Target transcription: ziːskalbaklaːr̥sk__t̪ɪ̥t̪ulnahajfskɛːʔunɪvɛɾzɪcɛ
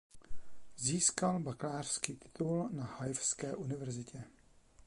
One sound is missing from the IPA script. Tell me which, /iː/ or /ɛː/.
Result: iː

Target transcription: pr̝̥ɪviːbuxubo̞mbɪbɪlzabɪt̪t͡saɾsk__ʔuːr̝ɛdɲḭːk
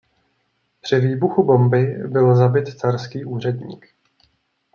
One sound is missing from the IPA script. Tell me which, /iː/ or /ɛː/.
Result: iː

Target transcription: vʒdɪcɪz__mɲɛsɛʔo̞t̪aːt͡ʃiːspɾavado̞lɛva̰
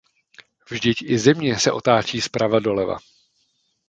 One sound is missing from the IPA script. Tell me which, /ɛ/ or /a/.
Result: ɛ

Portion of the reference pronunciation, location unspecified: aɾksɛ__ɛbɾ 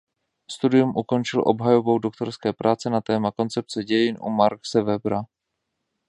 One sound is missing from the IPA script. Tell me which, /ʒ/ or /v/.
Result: v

